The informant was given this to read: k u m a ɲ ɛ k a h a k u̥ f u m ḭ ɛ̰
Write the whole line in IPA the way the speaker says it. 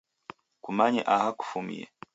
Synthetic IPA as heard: k u m a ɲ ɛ ʔ a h a k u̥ f u m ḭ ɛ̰

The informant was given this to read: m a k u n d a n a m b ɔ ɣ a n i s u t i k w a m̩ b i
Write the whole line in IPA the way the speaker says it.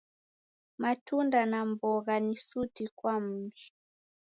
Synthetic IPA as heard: m a t u n d a n a m b ɔ ɣ a n i s u t i k w a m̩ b i

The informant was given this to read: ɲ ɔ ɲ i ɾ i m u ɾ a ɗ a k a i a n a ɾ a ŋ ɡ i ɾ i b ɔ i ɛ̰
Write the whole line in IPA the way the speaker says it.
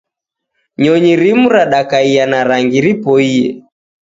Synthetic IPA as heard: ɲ ɔ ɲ i ɾ i m u ɾ a ɗ a k a i a n a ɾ a ŋ ɡ i ɾ i p ɔ i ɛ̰

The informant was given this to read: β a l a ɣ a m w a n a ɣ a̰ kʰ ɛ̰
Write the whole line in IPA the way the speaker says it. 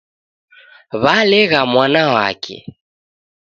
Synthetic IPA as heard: β a l ɛ ɣ a m w a n a w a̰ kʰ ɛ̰

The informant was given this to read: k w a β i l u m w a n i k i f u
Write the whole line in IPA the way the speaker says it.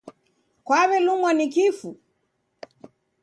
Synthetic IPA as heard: k w a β ɛ l u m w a n i k i f u

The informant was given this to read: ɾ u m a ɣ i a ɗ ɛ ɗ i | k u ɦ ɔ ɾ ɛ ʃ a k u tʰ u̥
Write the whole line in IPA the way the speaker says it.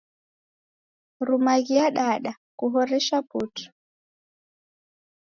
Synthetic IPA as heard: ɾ u m a ɣ i a ɗ a ɗ a | k u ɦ ɔ ɾ ɛ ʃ a p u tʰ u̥

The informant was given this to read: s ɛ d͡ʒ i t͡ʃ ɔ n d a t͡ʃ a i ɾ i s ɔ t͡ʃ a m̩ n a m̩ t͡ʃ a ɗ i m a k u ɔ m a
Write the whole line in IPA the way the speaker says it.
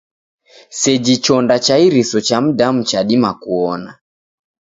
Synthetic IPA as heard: s ɛ d͡ʒ i t͡ʃ ɔ n d a t͡ʃ a i ɾ i s ɔ t͡ʃ a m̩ d a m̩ t͡ʃ a ɗ i m a k u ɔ n a

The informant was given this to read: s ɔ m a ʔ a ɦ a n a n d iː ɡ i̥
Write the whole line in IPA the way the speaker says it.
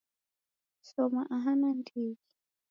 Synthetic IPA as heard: s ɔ m a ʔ a ɦ a n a n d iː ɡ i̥

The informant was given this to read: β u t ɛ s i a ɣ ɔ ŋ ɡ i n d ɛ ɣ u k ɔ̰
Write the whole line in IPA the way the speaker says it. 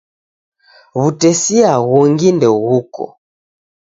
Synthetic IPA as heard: β u t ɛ s i a ɣ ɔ ŋ ɡ i n d ɛ ɣ u k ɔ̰

